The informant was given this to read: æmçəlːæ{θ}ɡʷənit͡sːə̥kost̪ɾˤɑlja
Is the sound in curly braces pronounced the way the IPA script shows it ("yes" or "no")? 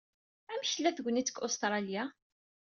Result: yes